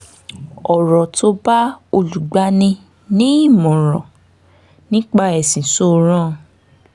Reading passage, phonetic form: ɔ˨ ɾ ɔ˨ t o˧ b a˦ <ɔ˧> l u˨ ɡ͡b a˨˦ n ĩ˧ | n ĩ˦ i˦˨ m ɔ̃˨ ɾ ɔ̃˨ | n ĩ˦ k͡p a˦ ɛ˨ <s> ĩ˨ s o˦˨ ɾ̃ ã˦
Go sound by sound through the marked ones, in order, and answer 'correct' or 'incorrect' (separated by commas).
incorrect, correct